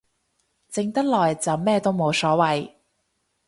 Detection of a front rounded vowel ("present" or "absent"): absent